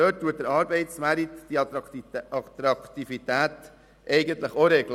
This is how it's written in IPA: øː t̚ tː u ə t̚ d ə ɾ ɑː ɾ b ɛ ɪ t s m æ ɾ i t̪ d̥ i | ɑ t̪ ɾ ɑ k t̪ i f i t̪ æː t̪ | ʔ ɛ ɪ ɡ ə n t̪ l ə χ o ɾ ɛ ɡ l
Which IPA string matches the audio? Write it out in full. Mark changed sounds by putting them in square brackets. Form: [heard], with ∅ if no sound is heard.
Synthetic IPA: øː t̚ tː u ə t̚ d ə ɾ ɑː ɾ b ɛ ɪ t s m æ ɾ i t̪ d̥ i | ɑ t̪ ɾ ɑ k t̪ i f i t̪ æː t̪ | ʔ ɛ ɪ ɡ ə n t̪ l ə χ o ɾ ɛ ɡ l